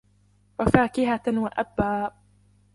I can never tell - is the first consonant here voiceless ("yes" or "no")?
no